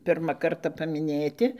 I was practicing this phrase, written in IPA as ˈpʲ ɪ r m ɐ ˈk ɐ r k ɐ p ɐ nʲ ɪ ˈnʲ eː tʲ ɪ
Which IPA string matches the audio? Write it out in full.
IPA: ˈpʲ ɪ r m ɐ ˈk ɐ r t ɐ p ɐ mʲ ɪ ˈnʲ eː tʲ ɪ